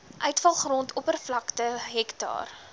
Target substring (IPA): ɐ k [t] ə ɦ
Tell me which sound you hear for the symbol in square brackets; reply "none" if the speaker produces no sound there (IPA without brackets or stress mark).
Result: t